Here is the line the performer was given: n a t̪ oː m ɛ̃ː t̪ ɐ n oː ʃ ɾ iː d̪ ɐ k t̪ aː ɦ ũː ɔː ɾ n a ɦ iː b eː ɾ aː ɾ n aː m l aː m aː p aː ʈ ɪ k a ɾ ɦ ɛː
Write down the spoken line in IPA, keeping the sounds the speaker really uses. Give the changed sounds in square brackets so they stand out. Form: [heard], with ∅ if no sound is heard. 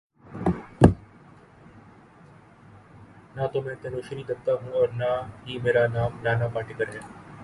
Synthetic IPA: n a t̪ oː m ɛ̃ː t̪ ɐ n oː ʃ ɾ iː d̪ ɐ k t̪ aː ɦ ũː ɔː ɾ n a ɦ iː [m] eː ɾ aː [∅] n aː m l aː [n] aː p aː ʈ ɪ k [ə] ɾ ɦ ɛː